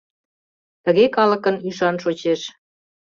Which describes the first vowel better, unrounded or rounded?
unrounded